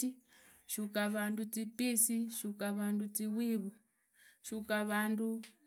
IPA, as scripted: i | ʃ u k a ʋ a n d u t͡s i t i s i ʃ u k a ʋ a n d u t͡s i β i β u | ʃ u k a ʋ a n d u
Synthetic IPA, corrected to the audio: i | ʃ u k a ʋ a n d u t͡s i p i s i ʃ u k a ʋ a n d u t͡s i w i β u | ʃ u k a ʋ a n d u